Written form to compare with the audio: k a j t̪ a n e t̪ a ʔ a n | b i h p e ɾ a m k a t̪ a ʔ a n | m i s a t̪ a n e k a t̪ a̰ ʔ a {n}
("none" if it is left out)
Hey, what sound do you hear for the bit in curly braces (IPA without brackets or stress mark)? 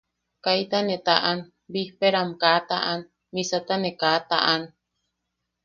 n